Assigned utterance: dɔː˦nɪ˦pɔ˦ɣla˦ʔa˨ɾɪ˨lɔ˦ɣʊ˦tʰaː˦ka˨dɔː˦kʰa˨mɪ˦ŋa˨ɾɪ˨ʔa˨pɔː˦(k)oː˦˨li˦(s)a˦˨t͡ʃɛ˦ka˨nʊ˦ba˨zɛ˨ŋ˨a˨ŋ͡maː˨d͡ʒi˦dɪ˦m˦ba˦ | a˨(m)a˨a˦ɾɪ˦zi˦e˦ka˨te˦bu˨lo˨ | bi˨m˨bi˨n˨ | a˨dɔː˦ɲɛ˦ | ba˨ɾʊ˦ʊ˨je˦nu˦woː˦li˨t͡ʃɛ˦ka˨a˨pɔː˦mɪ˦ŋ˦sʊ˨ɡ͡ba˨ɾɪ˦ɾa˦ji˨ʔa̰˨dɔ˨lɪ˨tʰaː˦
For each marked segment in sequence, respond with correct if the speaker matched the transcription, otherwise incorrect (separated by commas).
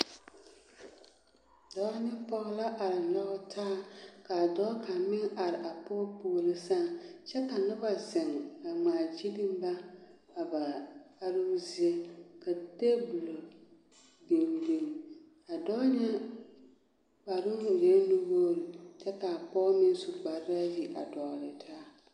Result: incorrect, correct, incorrect